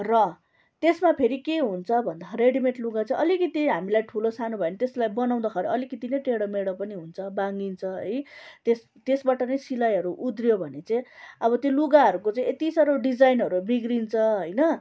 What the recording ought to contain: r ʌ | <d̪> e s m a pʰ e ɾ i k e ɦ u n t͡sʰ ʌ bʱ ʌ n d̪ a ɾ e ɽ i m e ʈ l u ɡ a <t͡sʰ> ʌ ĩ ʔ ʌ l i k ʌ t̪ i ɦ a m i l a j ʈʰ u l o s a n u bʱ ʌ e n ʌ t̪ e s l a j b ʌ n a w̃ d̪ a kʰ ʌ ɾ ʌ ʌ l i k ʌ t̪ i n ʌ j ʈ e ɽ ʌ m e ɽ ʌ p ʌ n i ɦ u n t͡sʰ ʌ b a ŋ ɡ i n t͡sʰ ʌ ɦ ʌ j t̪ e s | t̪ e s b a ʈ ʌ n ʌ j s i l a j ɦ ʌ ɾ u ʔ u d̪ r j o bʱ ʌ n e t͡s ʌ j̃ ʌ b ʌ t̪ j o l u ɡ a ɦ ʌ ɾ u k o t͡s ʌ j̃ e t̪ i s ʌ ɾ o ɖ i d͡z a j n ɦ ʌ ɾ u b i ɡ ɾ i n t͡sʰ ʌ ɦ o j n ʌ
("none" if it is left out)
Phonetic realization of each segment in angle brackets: t̪, t͡s

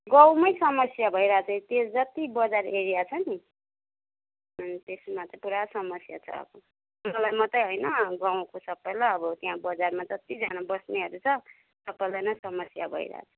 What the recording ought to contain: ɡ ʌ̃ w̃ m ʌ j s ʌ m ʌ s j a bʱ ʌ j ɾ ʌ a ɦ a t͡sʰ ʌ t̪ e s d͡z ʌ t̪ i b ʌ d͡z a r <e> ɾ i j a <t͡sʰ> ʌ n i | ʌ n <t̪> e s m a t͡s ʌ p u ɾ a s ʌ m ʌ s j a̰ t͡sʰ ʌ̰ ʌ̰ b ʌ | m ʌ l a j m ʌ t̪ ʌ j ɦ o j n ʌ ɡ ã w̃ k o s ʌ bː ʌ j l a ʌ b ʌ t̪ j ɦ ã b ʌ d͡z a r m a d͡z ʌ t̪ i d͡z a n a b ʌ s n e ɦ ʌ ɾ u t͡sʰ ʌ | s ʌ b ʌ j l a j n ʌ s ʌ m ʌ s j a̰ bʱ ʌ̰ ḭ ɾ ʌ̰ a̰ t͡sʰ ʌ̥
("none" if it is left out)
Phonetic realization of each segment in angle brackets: e, t͡sʰ, t̪

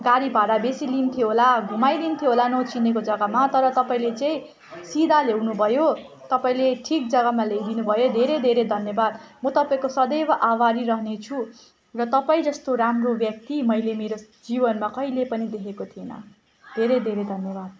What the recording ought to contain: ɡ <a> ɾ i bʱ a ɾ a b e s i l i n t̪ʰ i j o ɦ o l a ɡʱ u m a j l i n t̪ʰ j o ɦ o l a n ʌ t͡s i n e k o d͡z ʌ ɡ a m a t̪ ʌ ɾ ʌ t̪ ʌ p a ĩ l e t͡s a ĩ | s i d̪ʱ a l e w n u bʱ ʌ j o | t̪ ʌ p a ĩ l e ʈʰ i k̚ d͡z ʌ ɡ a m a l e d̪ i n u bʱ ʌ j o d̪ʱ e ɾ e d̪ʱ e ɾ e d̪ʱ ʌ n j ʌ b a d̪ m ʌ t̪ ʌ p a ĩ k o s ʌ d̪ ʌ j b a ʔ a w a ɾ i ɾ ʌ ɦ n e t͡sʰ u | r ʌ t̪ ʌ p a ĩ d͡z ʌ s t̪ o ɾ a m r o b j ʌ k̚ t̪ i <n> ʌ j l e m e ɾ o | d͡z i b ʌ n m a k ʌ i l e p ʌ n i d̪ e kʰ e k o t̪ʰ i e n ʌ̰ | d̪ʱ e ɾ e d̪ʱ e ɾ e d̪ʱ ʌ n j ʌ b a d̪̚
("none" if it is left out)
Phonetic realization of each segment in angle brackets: a, m

